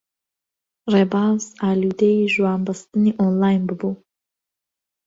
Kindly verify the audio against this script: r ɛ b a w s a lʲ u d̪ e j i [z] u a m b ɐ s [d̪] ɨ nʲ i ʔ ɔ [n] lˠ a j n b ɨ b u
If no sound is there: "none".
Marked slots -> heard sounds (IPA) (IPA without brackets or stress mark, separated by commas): ʒ, t̪, n